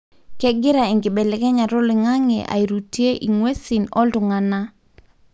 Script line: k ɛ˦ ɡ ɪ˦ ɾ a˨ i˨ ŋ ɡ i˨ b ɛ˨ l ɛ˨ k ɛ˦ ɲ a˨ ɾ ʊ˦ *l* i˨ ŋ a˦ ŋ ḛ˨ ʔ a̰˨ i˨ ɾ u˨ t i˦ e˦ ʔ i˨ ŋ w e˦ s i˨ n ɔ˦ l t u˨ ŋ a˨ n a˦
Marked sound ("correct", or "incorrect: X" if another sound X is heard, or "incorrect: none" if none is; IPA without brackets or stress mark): correct